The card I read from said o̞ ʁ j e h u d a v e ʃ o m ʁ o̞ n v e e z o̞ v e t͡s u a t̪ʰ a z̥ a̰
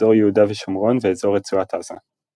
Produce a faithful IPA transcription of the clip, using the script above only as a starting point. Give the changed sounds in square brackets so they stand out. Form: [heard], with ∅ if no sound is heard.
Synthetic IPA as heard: o̞ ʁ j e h u d a v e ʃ o m ʁ o̞ n v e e z o̞ [ʁ] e t͡s u a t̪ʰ a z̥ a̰